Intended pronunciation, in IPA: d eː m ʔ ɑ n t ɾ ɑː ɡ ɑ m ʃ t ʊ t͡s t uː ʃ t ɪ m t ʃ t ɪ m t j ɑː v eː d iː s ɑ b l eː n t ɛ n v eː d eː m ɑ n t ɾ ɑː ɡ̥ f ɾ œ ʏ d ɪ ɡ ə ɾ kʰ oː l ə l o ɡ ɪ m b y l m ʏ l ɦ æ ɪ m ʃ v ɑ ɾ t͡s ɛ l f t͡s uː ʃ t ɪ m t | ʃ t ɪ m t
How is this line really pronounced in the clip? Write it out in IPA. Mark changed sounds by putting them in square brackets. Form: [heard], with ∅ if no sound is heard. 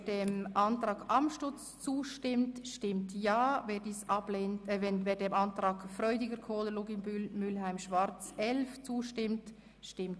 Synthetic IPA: d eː m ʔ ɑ n t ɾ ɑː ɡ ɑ m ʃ t ʊ t͡s [t͡s] uː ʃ t ɪ m t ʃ t ɪ m t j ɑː v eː d iː s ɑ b l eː n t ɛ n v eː d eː m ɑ n t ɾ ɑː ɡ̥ f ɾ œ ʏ d ɪ ɡ ə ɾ kʰ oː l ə l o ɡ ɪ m b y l m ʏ l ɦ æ ɪ m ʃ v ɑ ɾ t͡s ɛ l f t͡s uː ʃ t ɪ m t | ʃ t ɪ m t